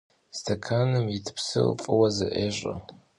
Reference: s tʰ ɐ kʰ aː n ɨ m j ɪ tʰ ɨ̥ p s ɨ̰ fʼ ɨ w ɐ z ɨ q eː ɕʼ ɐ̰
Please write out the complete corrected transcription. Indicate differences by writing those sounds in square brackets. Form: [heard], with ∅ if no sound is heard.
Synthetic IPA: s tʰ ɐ kʰ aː n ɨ m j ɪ tʰ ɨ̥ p s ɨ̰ fʼ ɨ w ɐ z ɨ [ʔ] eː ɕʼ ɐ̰